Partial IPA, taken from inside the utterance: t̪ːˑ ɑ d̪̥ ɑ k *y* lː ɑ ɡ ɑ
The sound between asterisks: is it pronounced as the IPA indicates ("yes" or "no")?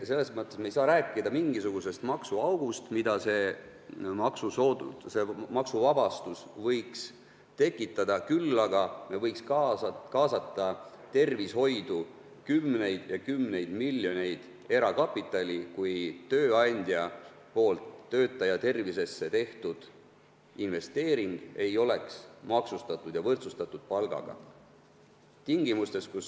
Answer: yes